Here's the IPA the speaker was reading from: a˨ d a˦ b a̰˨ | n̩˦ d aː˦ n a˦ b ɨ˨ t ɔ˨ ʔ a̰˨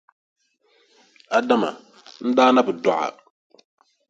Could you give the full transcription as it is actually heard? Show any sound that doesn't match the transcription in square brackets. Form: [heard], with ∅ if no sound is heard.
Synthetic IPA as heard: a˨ d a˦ [m] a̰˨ | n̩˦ d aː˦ n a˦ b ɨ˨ [d] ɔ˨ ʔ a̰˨